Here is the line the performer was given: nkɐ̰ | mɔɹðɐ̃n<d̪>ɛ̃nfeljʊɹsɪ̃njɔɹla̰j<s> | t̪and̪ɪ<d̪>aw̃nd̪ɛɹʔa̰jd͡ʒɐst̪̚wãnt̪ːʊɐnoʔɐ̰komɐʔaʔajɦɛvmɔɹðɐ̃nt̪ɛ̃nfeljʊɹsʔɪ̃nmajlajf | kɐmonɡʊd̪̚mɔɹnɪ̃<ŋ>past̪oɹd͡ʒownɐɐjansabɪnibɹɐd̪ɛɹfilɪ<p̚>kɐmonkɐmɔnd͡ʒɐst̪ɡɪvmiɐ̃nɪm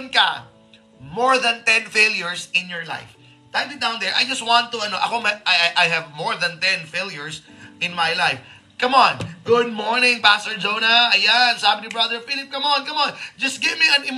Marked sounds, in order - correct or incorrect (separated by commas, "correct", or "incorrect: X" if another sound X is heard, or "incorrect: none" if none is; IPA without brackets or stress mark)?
incorrect: t̪, incorrect: f, correct, correct, correct